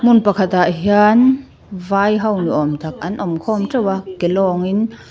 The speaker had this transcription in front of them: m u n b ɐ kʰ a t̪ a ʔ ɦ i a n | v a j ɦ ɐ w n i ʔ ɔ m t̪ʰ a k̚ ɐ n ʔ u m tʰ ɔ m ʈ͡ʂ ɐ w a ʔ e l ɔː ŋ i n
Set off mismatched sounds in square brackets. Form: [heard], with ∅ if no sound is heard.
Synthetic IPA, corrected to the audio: m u n [p] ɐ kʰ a t̪ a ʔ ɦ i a n | v a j ɦ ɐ w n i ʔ ɔ m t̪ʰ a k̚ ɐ n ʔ [ɔ] m [kʰ] ɔ m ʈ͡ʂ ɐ w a [k] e l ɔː ŋ i n